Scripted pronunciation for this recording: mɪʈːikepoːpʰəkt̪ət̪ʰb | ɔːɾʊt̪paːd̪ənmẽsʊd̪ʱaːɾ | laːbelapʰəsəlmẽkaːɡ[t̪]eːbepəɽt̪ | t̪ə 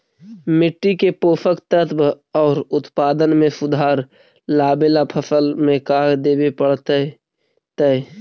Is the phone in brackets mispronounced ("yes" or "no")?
yes